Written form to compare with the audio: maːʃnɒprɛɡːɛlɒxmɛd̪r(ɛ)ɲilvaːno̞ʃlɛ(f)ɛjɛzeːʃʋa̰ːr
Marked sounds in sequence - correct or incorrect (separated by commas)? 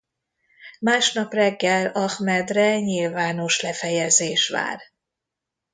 correct, correct